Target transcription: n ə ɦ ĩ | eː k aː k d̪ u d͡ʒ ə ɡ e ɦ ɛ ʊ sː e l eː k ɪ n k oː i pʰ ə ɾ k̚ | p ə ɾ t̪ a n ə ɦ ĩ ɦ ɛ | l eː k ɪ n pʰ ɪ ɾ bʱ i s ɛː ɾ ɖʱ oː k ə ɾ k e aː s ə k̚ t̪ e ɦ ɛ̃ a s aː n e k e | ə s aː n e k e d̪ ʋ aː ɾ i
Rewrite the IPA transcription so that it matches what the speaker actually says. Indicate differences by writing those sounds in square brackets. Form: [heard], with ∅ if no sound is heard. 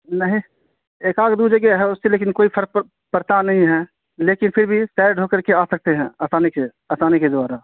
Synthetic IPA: n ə ɦ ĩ | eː k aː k d̪ u d͡ʒ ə ɡ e ɦ ɛ ʊ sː e l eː k ɪ n k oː i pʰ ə ɾ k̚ | p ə ɾ t̪ a n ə ɦ ĩ ɦ ɛ | l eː k ɪ n pʰ ɪ ɾ bʱ i s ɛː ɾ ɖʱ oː k ə ɾ k e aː s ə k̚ t̪ e ɦ ɛ̃ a s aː n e k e | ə s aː n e k e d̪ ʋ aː ɾ [a]